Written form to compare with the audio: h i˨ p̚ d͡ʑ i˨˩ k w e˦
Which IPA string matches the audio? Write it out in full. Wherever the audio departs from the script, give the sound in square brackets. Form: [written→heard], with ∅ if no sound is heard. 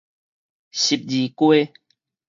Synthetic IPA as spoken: [h→ɕ] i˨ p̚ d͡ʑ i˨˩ k w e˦